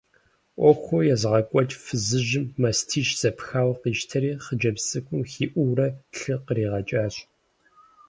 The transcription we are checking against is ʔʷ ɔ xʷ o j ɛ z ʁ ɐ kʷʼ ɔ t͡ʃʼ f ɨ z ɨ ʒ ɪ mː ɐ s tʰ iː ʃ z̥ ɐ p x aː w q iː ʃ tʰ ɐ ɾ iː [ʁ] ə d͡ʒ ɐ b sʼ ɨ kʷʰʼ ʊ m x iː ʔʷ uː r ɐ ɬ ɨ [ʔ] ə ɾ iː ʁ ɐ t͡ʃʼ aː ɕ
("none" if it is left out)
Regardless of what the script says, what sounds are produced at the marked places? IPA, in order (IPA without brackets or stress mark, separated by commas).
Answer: χ, q